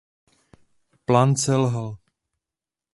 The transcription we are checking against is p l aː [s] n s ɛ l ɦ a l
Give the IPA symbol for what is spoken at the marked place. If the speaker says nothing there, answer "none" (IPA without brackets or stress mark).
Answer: none